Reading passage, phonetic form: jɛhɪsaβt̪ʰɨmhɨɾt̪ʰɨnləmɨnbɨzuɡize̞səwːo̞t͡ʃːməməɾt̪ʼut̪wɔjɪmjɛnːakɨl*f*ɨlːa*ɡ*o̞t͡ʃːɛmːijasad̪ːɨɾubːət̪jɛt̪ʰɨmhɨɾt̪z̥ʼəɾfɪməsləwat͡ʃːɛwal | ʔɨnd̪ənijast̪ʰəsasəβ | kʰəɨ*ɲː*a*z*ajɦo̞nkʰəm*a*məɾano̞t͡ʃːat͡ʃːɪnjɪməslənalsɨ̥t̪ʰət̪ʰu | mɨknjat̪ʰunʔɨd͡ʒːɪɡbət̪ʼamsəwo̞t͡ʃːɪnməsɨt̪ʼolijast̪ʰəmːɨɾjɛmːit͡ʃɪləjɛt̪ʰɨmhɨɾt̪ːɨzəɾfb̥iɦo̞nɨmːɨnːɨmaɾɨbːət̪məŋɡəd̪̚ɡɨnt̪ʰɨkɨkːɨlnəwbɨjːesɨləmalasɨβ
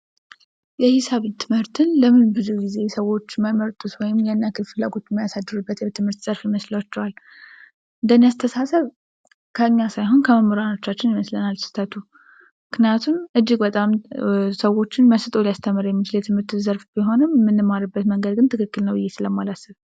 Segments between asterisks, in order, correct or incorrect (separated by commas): correct, correct, correct, incorrect, incorrect